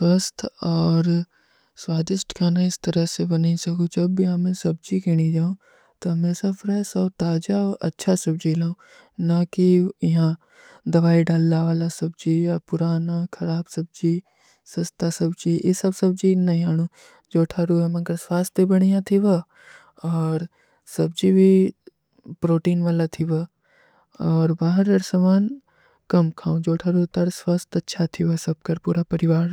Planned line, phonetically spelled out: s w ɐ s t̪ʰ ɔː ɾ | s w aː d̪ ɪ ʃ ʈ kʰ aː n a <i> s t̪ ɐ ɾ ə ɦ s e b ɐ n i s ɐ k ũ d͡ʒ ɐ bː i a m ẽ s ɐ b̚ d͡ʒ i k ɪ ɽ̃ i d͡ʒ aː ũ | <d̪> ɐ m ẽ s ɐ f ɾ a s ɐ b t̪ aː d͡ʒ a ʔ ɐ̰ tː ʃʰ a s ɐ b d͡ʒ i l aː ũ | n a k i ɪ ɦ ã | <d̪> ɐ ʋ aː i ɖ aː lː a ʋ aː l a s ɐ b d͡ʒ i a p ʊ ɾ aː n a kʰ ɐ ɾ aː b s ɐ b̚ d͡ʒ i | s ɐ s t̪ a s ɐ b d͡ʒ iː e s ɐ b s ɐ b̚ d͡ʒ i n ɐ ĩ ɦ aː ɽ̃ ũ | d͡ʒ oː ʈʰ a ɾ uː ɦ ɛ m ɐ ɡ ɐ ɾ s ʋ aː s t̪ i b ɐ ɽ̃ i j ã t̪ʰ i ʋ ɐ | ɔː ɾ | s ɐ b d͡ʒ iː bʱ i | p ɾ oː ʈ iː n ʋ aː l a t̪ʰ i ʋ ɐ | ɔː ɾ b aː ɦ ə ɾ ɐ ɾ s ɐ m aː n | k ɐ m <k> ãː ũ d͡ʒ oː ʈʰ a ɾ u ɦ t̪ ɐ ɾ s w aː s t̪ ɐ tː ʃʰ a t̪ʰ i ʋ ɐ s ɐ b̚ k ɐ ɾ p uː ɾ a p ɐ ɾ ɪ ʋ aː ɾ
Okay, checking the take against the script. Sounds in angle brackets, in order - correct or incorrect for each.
incorrect: ɪ, incorrect: t̪, correct, incorrect: kʰ

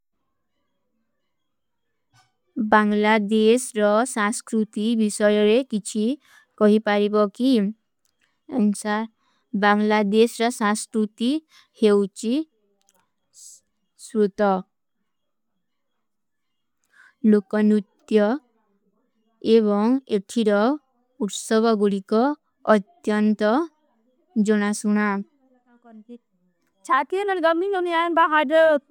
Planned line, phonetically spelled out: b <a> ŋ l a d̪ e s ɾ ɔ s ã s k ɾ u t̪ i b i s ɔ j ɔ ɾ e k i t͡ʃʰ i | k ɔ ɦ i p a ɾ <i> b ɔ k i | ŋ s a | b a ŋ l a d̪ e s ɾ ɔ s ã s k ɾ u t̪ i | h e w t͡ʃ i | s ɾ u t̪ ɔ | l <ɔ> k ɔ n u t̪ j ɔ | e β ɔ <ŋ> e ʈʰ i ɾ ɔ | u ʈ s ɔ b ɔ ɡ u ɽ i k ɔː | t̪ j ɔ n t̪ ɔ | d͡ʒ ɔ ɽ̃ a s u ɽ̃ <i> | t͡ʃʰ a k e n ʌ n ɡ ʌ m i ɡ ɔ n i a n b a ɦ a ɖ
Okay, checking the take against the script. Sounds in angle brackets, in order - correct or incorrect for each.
correct, correct, incorrect: o, correct, incorrect: a

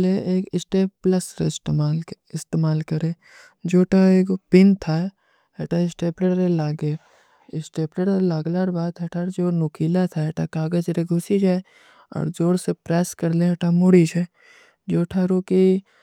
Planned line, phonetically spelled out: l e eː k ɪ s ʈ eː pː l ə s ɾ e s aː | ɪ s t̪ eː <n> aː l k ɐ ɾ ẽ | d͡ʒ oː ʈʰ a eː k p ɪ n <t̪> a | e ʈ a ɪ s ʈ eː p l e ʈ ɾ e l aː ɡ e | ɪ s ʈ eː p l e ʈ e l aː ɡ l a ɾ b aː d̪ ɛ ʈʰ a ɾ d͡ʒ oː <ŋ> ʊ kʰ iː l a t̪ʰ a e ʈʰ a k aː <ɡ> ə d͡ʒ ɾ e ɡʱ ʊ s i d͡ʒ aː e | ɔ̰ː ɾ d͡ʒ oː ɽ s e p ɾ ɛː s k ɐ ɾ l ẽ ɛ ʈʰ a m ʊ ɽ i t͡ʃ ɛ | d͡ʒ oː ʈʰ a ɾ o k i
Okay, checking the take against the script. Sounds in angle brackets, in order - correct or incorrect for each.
incorrect: m, incorrect: t̪ʰ, incorrect: n, correct

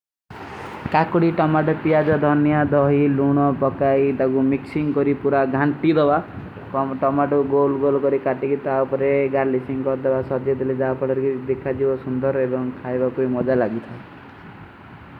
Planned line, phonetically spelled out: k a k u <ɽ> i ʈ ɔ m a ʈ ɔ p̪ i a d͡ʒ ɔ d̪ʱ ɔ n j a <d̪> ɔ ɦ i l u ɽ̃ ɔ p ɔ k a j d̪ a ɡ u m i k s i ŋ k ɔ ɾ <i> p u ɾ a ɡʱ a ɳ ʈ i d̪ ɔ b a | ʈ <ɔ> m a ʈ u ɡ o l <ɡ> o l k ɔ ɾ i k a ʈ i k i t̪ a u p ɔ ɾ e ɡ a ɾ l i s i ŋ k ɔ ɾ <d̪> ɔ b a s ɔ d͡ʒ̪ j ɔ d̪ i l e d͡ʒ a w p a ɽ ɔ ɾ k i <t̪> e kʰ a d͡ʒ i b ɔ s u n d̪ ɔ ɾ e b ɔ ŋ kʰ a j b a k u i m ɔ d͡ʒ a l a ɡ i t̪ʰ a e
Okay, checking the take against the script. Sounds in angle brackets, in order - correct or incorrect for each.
correct, correct, correct, correct, correct, correct, incorrect: d̪

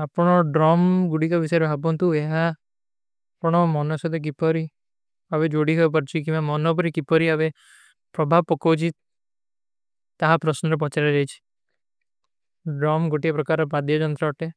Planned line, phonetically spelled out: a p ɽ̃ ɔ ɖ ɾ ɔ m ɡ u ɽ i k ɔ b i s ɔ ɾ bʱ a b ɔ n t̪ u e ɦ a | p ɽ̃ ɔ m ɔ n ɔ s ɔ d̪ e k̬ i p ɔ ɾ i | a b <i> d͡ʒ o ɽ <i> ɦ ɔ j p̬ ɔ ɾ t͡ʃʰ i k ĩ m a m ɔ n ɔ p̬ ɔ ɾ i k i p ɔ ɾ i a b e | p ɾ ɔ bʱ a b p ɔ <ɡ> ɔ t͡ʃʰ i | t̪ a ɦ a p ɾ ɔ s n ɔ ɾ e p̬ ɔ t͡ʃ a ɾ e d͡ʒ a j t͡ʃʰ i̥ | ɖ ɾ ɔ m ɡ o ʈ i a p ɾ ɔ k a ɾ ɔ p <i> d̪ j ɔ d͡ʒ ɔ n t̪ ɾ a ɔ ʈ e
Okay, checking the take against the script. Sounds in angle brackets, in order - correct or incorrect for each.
incorrect: e, correct, incorrect: k, incorrect: a

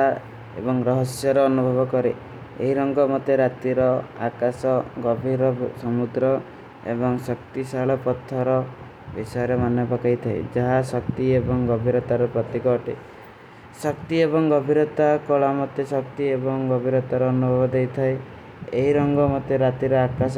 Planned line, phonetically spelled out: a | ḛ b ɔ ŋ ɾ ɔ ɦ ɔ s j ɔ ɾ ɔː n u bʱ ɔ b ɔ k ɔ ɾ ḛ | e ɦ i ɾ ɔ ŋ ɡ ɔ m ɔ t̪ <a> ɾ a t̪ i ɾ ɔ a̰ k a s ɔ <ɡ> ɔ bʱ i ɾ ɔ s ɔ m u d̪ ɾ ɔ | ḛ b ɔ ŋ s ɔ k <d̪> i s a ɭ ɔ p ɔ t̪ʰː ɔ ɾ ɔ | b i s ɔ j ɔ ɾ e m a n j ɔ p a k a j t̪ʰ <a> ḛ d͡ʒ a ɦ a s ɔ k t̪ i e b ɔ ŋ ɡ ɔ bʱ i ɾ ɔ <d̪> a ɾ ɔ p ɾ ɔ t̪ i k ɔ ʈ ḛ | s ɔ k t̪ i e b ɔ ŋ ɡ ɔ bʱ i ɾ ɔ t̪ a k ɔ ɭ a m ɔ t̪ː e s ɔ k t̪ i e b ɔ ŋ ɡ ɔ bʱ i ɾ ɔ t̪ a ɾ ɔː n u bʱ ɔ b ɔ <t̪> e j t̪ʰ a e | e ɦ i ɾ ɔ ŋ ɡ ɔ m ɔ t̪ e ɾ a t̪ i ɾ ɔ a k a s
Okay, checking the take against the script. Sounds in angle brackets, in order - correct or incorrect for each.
incorrect: e, correct, incorrect: t̪, correct, incorrect: t̪, incorrect: d̪

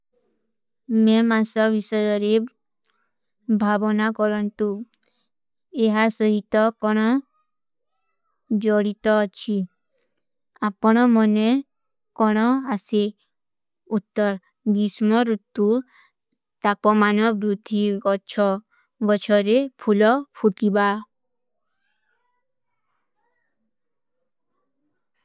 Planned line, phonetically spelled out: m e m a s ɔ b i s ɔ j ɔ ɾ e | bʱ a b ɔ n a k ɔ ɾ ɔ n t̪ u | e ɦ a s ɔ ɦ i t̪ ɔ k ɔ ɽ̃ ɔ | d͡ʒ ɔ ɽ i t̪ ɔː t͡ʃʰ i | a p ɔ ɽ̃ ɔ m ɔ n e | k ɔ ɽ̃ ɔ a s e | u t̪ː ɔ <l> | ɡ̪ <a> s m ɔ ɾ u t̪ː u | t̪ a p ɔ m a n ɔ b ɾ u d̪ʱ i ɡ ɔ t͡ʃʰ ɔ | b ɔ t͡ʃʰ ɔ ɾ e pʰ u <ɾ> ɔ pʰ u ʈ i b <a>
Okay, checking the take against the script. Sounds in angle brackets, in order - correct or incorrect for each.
incorrect: ɾ, incorrect: i, incorrect: l, correct

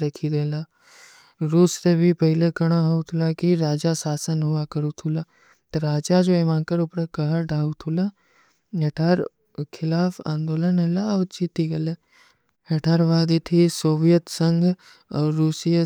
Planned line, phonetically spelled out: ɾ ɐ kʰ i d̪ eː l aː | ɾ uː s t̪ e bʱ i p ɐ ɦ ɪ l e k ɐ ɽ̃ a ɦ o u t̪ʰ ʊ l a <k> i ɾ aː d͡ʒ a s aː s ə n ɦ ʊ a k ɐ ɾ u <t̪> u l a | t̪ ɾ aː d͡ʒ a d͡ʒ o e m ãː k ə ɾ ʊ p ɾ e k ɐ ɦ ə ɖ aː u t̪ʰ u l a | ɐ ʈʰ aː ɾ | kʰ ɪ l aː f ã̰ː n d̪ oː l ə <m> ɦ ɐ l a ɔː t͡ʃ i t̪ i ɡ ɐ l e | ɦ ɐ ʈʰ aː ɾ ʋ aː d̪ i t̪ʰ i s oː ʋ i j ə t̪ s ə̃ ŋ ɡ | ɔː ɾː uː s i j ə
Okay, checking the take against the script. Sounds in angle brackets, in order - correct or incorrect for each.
correct, incorrect: t̪ʰ, incorrect: n

